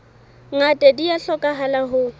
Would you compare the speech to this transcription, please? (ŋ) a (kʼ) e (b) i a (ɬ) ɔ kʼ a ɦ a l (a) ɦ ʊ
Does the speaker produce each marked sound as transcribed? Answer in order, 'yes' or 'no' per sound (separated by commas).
yes, no, no, yes, yes